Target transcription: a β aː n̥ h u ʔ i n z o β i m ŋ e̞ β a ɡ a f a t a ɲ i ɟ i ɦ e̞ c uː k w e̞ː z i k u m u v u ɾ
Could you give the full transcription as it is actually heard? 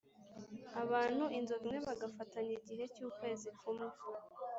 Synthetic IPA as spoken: a β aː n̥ h u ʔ i n z o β i m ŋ e̞ β a ɡ a f a t a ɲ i ɟ i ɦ e̞ c uː k w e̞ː z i k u m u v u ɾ